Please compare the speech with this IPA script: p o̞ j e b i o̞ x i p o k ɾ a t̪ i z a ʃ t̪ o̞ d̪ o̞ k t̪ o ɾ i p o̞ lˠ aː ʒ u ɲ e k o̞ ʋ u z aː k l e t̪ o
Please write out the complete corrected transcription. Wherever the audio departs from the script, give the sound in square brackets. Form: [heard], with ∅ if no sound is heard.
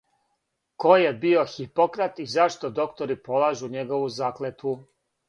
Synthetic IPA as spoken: [k] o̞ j e b i o̞ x i p o k ɾ a t̪ i z a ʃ t̪ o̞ d̪ o̞ k t̪ o ɾ i p o̞ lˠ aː ʒ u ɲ e [ɡ] o̞ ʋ u z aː k l e t̪ [u]